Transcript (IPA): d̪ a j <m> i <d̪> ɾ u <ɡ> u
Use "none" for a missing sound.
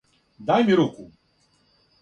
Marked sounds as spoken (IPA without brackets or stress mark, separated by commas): m, none, k